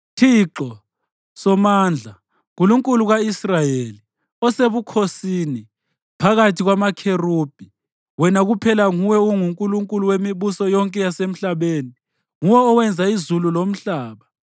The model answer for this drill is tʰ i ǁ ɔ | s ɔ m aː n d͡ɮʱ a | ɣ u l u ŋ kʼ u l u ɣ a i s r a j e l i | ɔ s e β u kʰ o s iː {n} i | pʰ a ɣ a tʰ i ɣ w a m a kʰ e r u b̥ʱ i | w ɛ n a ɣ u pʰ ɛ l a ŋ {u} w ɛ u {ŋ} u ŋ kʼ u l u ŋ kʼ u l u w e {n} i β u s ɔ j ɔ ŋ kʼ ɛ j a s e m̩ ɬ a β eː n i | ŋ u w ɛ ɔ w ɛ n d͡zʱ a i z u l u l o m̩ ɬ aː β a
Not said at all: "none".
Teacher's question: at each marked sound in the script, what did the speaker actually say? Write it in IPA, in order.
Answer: n, u, ŋ, m

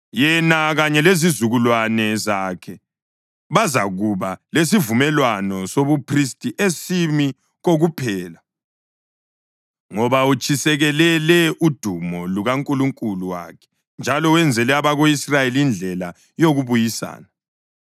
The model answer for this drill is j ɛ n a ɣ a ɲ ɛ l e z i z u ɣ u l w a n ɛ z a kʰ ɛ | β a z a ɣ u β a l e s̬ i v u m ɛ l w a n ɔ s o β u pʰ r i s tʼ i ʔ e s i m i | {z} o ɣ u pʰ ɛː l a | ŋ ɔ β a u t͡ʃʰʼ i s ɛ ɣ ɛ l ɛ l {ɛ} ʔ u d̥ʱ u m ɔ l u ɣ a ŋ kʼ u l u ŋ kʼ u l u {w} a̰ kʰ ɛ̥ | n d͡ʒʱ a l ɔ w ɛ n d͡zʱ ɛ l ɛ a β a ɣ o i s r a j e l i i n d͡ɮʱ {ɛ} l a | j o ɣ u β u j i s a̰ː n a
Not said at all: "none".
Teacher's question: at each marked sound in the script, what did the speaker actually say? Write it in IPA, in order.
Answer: ɣ, ɛ, w, ɛ

